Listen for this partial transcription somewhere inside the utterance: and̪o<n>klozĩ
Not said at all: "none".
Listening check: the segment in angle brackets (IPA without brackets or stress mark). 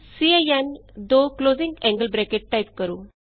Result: none